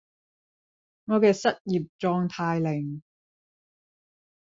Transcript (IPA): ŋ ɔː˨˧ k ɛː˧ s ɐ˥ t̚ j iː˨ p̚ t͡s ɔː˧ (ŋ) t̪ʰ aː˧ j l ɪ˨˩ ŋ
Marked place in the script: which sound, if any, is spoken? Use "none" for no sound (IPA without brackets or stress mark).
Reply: ŋ